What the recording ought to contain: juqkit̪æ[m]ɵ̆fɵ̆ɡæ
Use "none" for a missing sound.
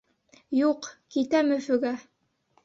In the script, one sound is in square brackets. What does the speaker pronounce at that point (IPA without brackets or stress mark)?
m